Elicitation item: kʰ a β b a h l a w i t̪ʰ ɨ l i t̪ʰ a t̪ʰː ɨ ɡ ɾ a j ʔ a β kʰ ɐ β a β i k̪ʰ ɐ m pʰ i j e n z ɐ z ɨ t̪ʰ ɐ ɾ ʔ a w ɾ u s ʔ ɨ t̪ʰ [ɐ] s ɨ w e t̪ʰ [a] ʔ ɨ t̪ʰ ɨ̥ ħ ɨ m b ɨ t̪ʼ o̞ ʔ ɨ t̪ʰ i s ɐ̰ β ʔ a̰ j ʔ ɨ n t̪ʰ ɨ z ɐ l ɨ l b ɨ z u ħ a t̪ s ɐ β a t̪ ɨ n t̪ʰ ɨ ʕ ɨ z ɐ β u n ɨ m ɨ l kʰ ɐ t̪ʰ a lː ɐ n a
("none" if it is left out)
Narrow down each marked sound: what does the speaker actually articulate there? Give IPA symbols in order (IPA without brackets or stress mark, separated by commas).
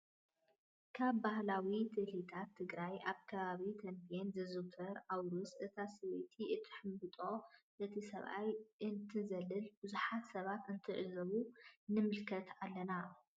a, i